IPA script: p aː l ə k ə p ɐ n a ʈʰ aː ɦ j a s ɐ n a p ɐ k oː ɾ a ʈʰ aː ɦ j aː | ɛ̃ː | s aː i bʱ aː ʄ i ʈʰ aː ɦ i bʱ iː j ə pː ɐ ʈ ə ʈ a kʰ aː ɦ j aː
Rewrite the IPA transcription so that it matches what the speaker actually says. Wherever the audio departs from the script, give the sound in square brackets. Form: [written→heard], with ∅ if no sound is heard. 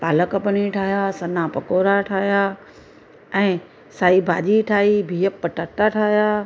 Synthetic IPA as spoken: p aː l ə k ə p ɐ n [a→i] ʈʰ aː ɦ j a s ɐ n a p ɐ k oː ɾ a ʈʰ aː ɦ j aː | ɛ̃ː | s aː i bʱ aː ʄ i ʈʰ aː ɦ i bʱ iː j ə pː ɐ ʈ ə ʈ a [kʰ→ʈʰ] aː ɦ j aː